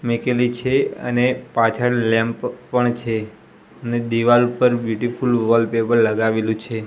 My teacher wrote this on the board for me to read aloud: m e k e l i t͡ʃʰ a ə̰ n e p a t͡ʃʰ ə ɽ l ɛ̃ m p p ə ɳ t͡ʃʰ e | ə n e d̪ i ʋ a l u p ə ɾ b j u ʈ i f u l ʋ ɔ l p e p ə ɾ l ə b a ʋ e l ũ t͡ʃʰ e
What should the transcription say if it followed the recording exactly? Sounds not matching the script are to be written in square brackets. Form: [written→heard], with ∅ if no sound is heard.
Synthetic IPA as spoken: m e k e l i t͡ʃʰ [a→e] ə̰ n e p a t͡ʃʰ ə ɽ l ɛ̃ m p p ə ɳ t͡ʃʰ e | ə n e d̪ i ʋ a l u p ə ɾ b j u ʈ i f u l ʋ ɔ l p e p ə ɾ l ə [b→ɡ] a ʋ e l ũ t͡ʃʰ e